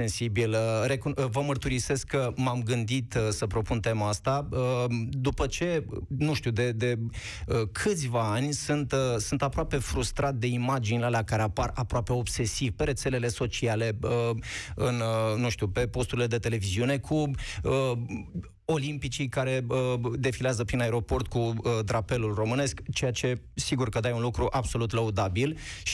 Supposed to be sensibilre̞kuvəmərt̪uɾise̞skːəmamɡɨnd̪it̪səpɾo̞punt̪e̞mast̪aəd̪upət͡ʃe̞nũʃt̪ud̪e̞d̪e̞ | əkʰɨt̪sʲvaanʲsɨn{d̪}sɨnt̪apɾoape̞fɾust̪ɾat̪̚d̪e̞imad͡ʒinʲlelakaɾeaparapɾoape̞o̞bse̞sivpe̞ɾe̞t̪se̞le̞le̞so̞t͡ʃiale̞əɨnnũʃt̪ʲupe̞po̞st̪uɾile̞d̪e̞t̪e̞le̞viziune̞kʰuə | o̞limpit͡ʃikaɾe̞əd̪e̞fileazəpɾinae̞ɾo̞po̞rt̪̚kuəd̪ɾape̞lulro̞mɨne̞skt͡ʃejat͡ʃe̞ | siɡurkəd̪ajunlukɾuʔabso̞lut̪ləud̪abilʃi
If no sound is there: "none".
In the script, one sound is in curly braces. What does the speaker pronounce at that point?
t̪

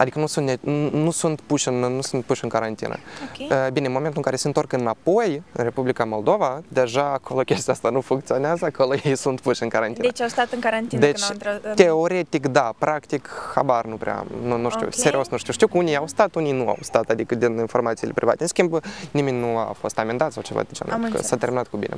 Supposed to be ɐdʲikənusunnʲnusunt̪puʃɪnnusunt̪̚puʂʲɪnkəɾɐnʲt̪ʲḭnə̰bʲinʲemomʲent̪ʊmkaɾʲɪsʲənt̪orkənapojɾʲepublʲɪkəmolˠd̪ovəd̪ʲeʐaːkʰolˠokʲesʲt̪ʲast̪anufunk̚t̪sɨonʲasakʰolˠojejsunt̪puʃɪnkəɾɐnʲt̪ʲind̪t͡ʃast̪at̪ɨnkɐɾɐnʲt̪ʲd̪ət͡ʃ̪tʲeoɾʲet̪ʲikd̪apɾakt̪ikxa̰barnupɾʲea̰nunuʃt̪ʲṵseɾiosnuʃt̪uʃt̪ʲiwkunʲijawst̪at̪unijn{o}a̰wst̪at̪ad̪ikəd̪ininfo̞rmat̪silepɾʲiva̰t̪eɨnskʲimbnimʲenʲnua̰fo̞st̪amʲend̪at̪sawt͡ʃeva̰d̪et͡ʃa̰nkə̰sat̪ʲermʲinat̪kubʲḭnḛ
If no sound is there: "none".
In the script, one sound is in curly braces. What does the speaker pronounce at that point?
u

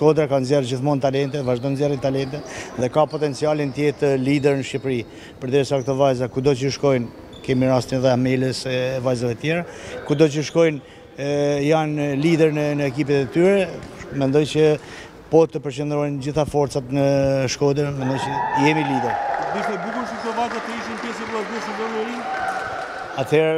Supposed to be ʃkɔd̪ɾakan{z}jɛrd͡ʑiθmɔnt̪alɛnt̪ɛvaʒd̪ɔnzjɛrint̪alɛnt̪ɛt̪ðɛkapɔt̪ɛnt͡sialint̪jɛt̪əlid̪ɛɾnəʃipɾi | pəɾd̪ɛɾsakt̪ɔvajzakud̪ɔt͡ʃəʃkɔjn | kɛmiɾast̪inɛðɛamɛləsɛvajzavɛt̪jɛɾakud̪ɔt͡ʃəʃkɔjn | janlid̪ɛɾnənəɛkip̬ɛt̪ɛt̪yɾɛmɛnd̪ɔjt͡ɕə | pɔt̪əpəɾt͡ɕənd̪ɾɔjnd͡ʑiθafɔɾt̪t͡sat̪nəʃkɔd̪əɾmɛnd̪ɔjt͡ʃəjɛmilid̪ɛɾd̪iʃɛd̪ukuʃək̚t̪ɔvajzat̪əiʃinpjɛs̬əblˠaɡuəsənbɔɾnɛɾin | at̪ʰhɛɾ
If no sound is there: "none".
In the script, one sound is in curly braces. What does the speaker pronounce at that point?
z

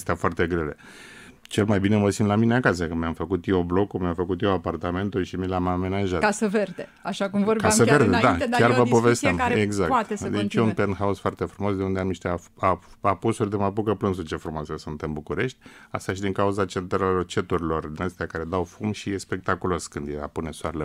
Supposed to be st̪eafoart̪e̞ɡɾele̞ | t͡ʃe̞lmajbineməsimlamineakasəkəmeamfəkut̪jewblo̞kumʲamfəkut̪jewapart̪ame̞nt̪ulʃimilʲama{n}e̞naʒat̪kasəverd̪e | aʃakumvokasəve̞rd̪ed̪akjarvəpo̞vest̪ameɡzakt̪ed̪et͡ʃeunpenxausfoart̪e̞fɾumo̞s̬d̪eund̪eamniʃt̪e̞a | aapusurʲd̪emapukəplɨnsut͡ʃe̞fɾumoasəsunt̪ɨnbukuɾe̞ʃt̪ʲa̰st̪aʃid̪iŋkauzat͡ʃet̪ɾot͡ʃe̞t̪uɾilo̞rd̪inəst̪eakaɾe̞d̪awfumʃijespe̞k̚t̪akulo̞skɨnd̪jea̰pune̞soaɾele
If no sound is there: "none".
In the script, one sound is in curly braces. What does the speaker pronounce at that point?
m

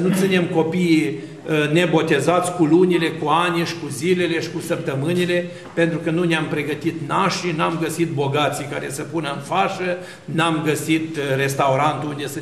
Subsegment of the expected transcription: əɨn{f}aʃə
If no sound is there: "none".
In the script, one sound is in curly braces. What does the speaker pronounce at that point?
f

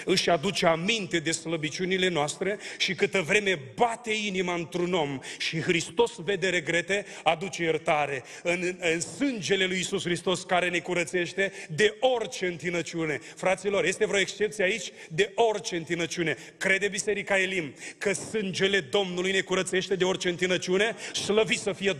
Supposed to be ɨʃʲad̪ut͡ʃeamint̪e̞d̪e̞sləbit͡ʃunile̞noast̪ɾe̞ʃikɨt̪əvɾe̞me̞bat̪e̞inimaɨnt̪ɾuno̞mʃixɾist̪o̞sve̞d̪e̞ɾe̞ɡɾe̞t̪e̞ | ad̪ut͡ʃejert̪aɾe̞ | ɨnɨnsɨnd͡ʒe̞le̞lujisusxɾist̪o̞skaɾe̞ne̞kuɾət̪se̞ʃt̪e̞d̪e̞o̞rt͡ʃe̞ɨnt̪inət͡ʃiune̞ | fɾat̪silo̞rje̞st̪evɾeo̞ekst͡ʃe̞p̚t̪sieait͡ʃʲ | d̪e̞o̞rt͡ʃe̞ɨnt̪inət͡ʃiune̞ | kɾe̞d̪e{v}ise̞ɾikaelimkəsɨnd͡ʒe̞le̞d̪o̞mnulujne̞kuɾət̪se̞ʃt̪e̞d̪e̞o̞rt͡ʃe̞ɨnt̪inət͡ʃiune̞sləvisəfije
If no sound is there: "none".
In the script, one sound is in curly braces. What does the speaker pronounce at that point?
b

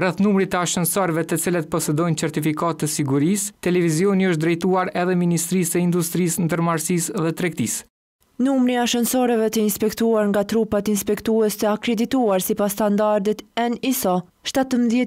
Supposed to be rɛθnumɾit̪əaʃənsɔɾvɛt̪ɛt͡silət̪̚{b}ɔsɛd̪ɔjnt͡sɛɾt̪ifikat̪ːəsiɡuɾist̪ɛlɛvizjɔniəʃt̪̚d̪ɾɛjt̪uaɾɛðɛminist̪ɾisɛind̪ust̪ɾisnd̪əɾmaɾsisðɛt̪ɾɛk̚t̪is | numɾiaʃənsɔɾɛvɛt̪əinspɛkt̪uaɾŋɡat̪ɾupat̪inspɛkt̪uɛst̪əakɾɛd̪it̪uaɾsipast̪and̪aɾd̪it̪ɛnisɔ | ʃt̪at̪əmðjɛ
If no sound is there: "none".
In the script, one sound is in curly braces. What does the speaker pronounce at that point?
p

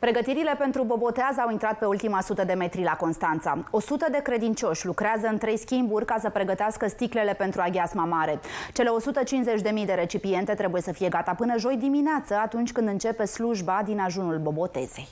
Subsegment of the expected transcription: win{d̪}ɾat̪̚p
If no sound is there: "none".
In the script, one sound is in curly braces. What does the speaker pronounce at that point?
t̪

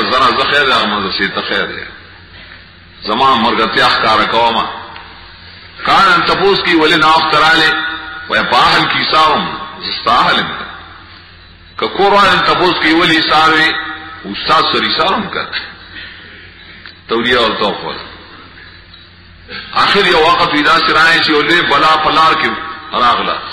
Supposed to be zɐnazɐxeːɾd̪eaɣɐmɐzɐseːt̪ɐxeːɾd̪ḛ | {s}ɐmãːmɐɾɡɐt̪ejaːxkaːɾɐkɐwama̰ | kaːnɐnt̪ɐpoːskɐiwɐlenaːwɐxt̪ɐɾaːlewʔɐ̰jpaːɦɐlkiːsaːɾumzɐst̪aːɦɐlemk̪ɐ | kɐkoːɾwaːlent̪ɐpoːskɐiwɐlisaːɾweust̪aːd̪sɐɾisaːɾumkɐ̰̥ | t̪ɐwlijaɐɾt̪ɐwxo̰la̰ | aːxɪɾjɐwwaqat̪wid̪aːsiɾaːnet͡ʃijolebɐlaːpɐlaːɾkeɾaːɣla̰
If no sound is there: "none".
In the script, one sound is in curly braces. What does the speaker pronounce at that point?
z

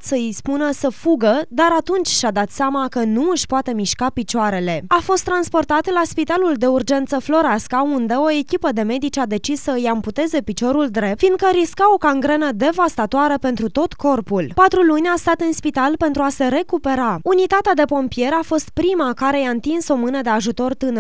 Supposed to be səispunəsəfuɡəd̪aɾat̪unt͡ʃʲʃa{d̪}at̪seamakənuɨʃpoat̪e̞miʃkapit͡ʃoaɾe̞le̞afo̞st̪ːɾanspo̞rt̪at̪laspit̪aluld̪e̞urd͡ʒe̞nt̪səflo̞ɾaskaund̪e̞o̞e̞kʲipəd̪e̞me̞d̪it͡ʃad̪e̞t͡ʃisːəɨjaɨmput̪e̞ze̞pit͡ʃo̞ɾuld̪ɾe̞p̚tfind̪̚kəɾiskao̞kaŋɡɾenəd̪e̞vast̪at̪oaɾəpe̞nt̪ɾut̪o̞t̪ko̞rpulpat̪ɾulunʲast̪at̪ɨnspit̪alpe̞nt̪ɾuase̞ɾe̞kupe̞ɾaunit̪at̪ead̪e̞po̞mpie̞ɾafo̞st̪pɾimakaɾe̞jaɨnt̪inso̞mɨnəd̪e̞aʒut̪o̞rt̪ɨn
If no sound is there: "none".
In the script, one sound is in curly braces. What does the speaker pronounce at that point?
d̪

